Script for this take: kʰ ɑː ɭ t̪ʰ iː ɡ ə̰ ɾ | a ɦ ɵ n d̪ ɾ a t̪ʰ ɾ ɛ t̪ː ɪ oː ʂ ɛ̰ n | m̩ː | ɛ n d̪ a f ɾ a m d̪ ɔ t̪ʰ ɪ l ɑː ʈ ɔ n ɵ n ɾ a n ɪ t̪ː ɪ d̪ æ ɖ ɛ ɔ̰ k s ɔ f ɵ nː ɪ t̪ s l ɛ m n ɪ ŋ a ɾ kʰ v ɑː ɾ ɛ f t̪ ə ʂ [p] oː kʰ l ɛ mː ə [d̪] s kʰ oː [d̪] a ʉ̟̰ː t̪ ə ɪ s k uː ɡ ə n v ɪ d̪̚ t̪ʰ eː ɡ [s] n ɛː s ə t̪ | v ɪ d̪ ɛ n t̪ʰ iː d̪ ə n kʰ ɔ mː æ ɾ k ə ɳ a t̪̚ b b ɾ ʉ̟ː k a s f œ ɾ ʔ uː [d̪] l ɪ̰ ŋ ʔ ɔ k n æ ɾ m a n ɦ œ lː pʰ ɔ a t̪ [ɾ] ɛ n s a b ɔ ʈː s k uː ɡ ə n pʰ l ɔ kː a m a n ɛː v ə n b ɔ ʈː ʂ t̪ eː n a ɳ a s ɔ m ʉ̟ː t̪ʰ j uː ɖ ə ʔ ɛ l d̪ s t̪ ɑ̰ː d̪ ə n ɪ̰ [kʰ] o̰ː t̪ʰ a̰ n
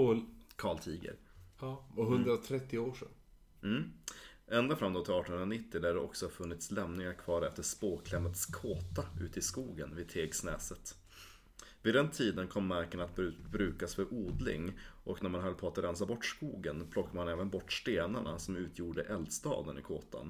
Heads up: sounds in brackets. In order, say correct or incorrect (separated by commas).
correct, incorrect, incorrect, correct, correct, correct, correct